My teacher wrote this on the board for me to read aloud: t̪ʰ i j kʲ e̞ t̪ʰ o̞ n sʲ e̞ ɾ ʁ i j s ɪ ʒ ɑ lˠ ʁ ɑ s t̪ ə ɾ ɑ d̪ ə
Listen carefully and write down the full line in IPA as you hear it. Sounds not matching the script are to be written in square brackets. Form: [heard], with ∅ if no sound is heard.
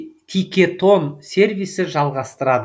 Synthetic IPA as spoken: t̪ʰ i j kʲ e̞ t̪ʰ o̞ n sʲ e̞ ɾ [v] i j s ɪ ʒ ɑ lˠ ʁ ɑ s t̪ ə ɾ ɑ d̪ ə